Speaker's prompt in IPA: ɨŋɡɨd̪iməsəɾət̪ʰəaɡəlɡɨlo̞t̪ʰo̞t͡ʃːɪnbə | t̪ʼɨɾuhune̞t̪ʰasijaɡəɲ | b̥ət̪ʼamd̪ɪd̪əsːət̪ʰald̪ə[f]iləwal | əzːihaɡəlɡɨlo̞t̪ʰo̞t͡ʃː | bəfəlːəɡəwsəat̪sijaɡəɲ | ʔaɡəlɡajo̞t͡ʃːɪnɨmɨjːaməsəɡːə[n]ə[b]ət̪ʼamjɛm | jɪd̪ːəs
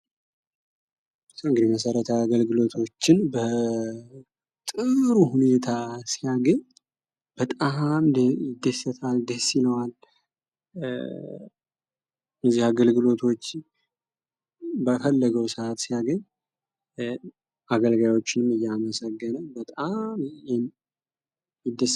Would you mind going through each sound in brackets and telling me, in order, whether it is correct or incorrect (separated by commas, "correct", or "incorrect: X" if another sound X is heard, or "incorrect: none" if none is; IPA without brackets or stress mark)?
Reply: incorrect: s, correct, correct